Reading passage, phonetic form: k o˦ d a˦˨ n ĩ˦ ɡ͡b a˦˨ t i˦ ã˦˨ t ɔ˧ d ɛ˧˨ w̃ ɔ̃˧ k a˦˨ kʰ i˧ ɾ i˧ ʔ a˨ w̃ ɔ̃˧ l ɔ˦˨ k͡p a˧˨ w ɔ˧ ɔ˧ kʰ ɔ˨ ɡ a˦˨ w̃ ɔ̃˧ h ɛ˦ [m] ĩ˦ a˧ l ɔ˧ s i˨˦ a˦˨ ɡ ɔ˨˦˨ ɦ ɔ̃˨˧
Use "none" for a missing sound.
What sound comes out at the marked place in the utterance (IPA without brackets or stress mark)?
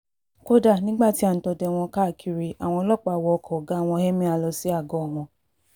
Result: m